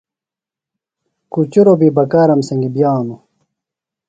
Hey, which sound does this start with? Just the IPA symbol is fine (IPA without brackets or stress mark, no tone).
k